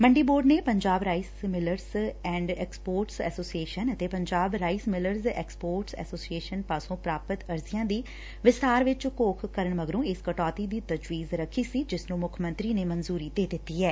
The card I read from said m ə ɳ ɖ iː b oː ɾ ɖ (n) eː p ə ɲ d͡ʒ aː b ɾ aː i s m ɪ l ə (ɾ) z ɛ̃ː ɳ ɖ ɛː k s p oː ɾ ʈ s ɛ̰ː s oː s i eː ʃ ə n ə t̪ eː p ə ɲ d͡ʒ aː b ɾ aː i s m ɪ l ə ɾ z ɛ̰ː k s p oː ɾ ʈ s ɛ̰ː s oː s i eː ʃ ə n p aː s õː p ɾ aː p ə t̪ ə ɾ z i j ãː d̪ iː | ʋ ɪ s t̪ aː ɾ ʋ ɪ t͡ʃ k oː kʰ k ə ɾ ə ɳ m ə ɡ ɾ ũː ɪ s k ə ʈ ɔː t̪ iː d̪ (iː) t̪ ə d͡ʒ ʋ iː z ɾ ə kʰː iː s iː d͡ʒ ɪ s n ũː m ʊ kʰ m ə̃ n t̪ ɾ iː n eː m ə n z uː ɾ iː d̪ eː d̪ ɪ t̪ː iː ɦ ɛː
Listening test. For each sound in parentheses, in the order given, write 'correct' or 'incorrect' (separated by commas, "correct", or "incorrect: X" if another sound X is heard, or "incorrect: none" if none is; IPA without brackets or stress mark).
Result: correct, correct, correct